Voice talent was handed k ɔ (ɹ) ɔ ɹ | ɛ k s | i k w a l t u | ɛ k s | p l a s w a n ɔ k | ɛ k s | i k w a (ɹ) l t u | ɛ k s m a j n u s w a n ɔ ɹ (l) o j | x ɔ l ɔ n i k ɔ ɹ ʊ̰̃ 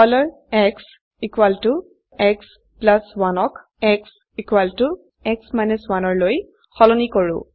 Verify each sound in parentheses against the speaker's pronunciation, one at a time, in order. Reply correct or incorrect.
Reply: incorrect, incorrect, correct

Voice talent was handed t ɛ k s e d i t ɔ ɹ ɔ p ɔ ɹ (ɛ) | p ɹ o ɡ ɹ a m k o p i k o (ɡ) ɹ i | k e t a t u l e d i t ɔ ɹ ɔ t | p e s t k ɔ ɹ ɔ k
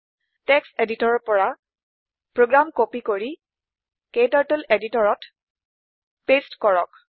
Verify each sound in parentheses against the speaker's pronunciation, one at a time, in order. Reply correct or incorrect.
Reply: incorrect, incorrect

